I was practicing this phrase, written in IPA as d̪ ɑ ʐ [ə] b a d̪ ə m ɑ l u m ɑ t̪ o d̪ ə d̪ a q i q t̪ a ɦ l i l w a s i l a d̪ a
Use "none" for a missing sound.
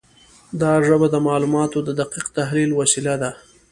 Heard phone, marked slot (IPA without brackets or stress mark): ə